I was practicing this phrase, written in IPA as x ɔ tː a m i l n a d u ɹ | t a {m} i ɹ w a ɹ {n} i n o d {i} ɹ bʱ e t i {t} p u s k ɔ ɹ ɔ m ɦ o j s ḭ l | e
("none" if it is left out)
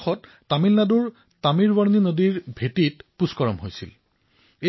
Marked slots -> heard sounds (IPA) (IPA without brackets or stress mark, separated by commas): m, n, i, t